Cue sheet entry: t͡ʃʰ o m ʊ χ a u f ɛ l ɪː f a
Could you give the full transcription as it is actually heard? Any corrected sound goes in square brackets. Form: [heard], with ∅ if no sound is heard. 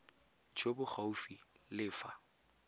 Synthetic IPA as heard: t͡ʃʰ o [b] ʊ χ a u f [i] l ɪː f a